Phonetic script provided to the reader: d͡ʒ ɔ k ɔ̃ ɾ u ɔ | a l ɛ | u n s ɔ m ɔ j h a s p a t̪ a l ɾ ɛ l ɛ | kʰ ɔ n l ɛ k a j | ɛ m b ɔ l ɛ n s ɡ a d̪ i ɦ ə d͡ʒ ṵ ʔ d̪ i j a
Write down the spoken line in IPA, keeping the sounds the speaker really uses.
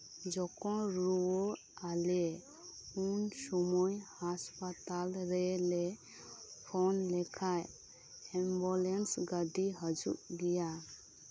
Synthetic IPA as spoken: d͡ʒ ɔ k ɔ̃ ɾ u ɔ | a l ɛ | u n s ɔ m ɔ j h a s p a t̪ a l ɾ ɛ l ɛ | pʰ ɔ n l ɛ kʰ a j | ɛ m b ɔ l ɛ n s ɡ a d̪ i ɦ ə d͡ʒ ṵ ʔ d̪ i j a